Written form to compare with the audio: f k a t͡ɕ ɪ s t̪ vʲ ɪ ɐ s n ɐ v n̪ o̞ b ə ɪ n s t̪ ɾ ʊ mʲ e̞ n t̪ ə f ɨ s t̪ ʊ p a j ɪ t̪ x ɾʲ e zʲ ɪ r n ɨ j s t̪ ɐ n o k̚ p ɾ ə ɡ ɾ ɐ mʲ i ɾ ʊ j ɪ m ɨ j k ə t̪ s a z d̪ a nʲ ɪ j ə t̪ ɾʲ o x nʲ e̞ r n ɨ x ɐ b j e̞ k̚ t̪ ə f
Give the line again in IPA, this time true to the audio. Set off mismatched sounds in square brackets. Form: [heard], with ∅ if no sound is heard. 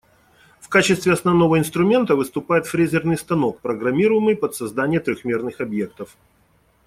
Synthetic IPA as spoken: f k a t͡ɕ ɪ s t̪ vʲ ɪ ɐ s n ɐ v n̪ o̞ [v] ə ɪ n s t̪ ɾ ʊ mʲ e̞ n t̪ ə [v] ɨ s t̪ ʊ p a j ɪ t̪ [f] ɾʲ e zʲ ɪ r n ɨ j s t̪ ɐ n o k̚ p ɾ ə ɡ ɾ ɐ mʲ i ɾ ʊ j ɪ m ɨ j [p] ə t̪ s [ɐ] z d̪ a nʲ ɪ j ə t̪ ɾʲ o x [mʲ] e̞ r n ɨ x ɐ b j e̞ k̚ t̪ ə f